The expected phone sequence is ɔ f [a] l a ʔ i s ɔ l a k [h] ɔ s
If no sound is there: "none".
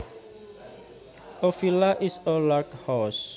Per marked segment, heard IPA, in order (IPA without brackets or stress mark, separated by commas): i, h